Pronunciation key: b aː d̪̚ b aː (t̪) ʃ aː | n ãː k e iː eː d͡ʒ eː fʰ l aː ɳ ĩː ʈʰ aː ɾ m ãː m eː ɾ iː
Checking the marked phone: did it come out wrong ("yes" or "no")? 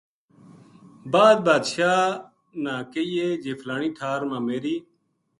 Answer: yes